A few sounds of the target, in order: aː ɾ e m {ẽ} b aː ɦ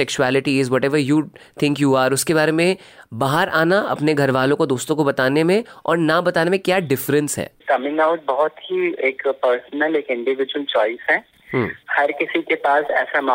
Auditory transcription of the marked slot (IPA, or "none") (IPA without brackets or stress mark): ẽ